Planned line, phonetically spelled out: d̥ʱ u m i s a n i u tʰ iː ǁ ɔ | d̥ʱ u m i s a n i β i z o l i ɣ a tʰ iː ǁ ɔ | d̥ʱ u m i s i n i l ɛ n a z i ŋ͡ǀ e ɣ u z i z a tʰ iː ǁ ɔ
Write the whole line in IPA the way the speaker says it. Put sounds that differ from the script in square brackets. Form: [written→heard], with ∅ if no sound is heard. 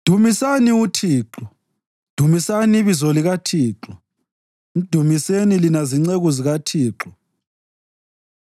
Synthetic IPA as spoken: d̥ʱ u m i s a n i u tʰ iː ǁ ɔ | d̥ʱ u m i s a n i β i z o l i ɣ a tʰ iː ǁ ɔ | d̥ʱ u m i s [i→e] n i l [ɛ→i] n a z i ŋ͡ǀ e ɣ u z i [z→ɣ] a tʰ iː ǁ ɔ

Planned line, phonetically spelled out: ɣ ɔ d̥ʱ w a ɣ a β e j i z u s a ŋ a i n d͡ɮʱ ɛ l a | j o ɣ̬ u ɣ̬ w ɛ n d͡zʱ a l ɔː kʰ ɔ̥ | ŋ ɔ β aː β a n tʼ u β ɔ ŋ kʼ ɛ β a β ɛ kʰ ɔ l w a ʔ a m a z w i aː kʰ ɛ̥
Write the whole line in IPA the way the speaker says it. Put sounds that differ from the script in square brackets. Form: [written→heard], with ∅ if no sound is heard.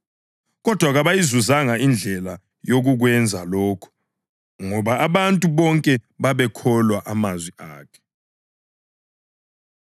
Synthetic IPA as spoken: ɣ ɔ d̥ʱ w a ɣ a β [e→a] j i z u [s→z] a ŋ a i n d͡ɮʱ ɛ l a | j o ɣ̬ u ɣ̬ w ɛ n d͡zʱ a l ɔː kʰ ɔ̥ | ŋ ɔ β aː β a n tʼ u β ɔ ŋ kʼ ɛ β a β ɛ kʰ ɔ l w a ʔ a m a z w i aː kʰ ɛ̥

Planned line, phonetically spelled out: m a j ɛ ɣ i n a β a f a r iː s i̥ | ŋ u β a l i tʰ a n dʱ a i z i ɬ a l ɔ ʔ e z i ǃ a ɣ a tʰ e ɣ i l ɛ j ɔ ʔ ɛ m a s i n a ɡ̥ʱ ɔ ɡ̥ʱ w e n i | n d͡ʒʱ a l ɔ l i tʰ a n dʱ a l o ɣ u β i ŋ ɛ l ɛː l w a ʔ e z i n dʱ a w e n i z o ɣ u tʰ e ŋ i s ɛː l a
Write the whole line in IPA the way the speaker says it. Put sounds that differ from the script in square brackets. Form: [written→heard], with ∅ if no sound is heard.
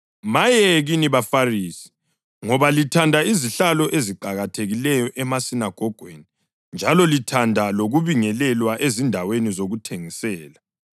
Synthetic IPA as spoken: m a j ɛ ɣ i n [a→i] β a f a r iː s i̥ | ŋ [u→ɔ] β a l i tʰ a n dʱ a i z i ɬ a l ɔ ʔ e z i ǃ a ɣ a tʰ e ɣ i l ɛ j ɔ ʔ ɛ m a s i n a ɡ̥ʱ ɔ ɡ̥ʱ w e n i | n d͡ʒʱ a l ɔ l i tʰ a n dʱ a l o ɣ u β i ŋ ɛ l [ɛː→ɛ] l w a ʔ e z i n dʱ a w e n i z o ɣ u tʰ e ŋ i s ɛː l a

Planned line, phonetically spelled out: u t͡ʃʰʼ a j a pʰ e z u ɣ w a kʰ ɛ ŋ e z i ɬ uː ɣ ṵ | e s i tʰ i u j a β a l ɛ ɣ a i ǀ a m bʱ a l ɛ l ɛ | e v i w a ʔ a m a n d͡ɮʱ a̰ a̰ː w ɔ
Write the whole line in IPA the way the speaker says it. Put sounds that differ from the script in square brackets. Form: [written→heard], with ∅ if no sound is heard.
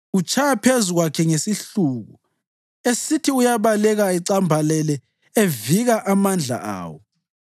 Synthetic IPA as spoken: u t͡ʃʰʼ a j a pʰ e z u ɣ w a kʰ ɛ ŋ e [z→s] i ɬ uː ɣ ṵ | e s i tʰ i u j a β a l ɛ ɣ a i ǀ a m bʱ a l ɛ l ɛ | e v i [w→ɣ] a ʔ a m a n d͡ɮʱ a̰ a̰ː w ɔ

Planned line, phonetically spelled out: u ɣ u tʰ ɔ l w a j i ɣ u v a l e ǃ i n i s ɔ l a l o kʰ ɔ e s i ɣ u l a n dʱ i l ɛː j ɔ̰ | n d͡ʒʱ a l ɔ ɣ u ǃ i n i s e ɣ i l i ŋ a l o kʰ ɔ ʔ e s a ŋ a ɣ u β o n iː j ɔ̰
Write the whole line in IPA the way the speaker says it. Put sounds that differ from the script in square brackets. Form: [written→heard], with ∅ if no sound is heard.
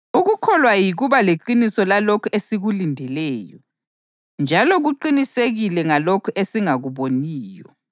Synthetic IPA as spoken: u ɣ u [tʰ→kʰ] ɔ l w a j i ɣ u [v→β] a l e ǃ i n i s ɔ l a l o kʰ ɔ e s i ɣ u l [a→i] n dʱ [i→ɛ] l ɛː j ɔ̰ | n d͡ʒʱ a l ɔ ɣ u ǃ i n i s e ɣ i l [i→ɛ] ŋ a l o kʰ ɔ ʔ e s [a→i] ŋ a ɣ u β o n iː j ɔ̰

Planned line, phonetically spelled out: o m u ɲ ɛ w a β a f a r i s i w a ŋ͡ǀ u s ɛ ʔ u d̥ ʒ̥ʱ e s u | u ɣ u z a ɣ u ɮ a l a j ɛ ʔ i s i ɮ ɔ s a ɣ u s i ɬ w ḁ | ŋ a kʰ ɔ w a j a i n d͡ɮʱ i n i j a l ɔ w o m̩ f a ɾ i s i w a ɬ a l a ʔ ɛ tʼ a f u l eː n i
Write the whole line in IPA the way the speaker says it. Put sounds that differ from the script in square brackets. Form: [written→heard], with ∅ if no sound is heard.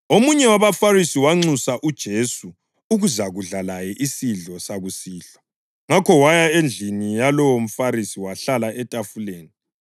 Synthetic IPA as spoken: o m u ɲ ɛ w a β a f a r i s i w a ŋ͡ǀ u s [ɛ→a] ʔ u d̥ ʒ̥ʱ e s u | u ɣ u z a ɣ u ɮ a l a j ɛ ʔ i s i ɮ ɔ s a ɣ u s [i→iː] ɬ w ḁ | ŋ a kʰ ɔ w a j a [i→e] n d͡ɮʱ i n i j a l ɔ w o m̩ f a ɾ i s i w a ɬ a l a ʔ ɛ tʼ a f u l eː n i

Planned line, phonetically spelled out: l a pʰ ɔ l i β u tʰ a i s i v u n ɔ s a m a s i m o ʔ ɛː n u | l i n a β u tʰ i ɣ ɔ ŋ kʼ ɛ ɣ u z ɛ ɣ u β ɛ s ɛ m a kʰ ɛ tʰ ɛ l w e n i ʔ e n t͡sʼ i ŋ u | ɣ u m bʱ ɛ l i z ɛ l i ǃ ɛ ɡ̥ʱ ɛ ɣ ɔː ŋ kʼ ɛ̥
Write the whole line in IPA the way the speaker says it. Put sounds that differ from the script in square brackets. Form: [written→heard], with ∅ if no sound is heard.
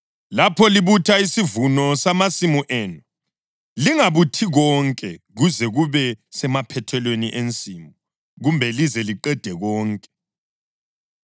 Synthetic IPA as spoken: l a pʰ ɔ l i β u tʰ a i s i v u n ɔ s a m a s i m [o→u] ʔ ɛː n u | l i [n→ŋ] a β u tʰ i ɣ ɔ ŋ kʼ ɛ ɣ u z ɛ ɣ u β ɛ s ɛ m a [kʰ→pʰ] ɛ tʰ ɛ l w e n i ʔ e n t͡sʼ i [ŋ→m] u | ɣ u m bʱ ɛ l i z ɛ l i ǃ ɛ [ɡ̥ʱ→d̥ʱ] ɛ ɣ ɔː ŋ kʼ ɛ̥

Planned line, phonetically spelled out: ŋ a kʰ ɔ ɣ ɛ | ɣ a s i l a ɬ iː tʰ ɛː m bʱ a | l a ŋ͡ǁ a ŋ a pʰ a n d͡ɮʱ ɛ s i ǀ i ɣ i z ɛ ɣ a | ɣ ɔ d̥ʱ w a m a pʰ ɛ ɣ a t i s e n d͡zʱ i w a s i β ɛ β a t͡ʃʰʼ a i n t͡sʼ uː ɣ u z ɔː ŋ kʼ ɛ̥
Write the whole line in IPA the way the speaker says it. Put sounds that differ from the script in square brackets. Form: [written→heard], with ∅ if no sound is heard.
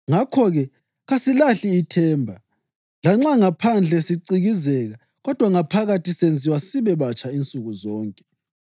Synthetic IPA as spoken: ŋ a kʰ ɔ ɣ ɛ | ɣ a s i l a ɬ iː tʰ ɛː m bʱ a | l a ŋ͡ǁ a ŋ a pʰ a n d͡ɮʱ ɛ s i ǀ i ɣ i z ɛ ɣ a | ɣ ɔ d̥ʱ w a [m→ŋ] a pʰ [ɛ→a] ɣ a t i s e n d͡zʱ i w a s i β ɛ β a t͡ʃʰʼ a i n t͡sʼ [uː→u] ɣ u z ɔː ŋ kʼ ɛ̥

